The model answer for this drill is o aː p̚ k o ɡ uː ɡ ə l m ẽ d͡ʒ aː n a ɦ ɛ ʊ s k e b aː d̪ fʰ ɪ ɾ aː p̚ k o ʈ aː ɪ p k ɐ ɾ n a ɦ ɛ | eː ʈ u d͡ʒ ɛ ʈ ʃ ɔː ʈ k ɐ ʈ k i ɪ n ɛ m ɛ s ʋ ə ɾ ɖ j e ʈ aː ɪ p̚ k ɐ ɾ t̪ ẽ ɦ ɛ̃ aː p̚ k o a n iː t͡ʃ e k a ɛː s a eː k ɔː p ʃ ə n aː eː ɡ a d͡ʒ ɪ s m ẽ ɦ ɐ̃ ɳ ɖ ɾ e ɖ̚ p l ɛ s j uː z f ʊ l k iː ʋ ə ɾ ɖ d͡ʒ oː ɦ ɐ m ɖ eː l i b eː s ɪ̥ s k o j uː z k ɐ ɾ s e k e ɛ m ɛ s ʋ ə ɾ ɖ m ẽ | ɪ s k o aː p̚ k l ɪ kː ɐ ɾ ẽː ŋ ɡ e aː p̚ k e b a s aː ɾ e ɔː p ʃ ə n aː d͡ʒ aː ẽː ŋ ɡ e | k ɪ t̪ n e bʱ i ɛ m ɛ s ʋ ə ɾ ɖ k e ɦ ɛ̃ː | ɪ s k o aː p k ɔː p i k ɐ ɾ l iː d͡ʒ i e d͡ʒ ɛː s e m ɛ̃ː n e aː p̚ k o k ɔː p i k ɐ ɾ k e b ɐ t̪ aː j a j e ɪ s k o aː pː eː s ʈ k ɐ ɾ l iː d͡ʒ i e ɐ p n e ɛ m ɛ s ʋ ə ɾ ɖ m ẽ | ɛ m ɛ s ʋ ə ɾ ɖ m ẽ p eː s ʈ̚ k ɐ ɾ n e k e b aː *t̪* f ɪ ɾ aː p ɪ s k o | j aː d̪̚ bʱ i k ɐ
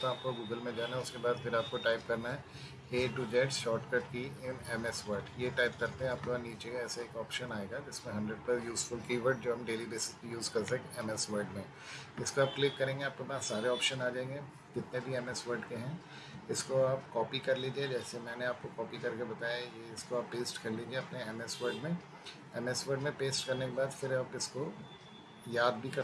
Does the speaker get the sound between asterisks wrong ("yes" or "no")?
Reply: yes